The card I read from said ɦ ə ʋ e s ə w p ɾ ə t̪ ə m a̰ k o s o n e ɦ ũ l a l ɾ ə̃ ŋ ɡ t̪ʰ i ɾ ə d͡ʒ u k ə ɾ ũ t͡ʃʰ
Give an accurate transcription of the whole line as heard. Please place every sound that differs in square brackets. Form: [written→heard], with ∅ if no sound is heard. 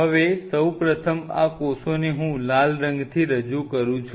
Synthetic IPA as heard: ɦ ə ʋ e s ə w p ɾ ə [t̪→t̪ʰ] ə m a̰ k o s o n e ɦ ũ l a l ɾ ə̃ ŋ ɡ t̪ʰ i ɾ ə d͡ʒ u k ə ɾ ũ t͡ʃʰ